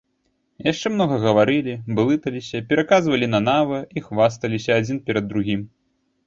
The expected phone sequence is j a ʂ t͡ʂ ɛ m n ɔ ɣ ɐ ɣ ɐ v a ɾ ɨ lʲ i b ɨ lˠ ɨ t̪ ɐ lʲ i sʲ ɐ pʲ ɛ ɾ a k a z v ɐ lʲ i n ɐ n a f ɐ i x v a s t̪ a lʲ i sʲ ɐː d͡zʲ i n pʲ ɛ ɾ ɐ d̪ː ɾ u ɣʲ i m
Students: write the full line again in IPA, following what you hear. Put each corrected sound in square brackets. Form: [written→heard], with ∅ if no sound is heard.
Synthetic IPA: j a ʂ t͡ʂ ɛ m n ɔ ɣ ɐ ɣ ɐ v a ɾ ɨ lʲ i b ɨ lˠ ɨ t̪ ɐ lʲ i sʲ ɐ pʲ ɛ ɾ a k a z v ɐ lʲ i n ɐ n a [f→v] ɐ i x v a s t̪ [a→ɐ] lʲ i sʲ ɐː d͡zʲ i n pʲ ɛ ɾ ɐ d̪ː ɾ u ɣʲ i m